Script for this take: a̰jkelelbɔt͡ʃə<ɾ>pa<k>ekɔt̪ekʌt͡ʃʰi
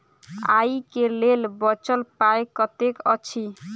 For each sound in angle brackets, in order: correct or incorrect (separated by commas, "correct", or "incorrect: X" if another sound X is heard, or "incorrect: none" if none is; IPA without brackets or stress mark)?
incorrect: l, incorrect: none